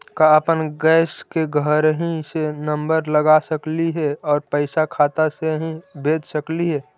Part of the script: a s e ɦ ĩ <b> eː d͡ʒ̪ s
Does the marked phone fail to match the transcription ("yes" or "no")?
no